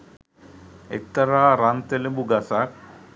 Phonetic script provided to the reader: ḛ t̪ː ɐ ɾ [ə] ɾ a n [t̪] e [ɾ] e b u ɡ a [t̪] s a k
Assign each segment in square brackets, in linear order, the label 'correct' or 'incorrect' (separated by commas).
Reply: incorrect, correct, incorrect, incorrect